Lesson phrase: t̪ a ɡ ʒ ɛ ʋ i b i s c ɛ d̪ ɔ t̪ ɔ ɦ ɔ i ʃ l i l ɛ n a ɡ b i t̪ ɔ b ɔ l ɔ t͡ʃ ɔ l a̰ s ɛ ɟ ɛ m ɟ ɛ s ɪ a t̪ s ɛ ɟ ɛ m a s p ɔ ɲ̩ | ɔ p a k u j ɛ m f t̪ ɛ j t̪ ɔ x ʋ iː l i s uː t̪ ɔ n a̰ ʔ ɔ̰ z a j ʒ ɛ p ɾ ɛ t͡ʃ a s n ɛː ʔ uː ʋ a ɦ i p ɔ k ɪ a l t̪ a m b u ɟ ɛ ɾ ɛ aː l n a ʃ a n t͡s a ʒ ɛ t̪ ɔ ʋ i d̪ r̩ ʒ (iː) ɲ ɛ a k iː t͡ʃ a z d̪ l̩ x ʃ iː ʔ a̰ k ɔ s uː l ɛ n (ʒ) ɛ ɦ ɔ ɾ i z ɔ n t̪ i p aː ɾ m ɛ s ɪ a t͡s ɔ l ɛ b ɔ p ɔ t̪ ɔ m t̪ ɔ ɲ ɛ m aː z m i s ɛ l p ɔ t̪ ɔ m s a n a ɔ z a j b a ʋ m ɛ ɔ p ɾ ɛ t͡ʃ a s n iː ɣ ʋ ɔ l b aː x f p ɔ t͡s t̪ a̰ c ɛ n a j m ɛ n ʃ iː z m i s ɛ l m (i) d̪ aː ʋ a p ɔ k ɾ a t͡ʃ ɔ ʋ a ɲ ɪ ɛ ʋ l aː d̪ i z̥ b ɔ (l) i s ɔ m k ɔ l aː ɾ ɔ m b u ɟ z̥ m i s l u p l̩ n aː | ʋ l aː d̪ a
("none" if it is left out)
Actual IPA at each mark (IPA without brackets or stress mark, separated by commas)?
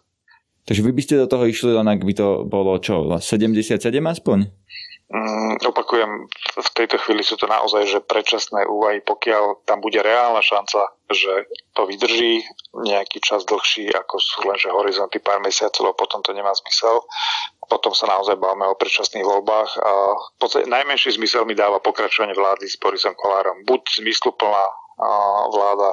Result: iː, ʒ, i, ɾ